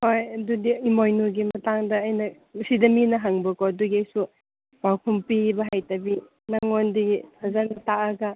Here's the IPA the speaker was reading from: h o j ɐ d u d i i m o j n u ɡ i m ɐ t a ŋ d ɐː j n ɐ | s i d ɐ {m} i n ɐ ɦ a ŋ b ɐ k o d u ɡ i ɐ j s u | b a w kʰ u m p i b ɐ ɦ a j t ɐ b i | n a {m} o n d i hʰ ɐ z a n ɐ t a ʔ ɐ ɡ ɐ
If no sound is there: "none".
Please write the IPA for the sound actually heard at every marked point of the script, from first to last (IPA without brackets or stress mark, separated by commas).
m, ŋ